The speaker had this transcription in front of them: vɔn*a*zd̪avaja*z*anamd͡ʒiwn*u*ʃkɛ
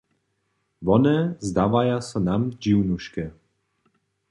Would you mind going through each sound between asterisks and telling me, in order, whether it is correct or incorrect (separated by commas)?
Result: incorrect, incorrect, correct